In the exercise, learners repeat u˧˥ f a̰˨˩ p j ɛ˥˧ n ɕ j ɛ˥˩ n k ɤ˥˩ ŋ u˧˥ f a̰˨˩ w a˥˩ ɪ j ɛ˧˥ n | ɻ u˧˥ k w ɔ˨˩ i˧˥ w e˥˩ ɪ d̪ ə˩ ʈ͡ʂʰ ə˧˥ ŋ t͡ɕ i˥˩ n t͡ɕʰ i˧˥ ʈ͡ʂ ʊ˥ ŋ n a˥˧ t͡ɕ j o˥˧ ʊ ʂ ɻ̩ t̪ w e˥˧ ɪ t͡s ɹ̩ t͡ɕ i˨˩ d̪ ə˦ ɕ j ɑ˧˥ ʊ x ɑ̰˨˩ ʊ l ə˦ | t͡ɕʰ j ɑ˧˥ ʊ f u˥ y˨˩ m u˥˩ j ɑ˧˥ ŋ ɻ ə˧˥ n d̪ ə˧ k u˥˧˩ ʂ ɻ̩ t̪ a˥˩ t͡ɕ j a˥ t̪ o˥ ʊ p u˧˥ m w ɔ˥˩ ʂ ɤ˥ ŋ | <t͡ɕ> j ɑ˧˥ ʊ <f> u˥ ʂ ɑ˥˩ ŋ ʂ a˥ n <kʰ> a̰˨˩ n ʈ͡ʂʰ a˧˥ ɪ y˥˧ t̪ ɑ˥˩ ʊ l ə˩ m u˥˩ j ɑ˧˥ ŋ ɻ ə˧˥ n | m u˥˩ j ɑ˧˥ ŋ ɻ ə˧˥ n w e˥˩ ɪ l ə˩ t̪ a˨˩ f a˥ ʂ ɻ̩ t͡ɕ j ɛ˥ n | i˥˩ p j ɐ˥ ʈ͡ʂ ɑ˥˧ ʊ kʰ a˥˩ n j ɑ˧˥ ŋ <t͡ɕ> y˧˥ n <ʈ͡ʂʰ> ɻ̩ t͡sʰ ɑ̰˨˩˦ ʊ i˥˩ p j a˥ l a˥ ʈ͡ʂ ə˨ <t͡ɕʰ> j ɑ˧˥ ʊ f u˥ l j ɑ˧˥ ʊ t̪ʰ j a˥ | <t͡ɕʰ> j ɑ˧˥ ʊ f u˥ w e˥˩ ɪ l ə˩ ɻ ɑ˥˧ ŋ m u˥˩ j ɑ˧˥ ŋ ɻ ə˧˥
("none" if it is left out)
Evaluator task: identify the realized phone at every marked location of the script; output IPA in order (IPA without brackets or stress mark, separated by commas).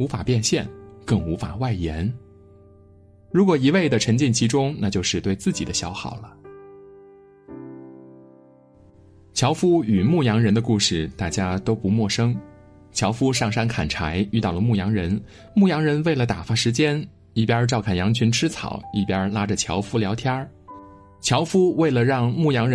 t͡ɕʰ, f, kʰ, t͡ɕʰ, ʈ͡ʂʰ, t͡ɕʰ, t͡ɕʰ